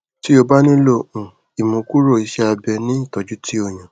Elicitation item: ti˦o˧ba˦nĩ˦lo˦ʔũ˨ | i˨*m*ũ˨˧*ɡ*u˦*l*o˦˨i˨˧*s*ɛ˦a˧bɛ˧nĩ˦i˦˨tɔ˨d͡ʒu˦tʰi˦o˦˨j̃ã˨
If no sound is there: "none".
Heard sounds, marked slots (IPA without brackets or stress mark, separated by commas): m, k, ɾ, ʃ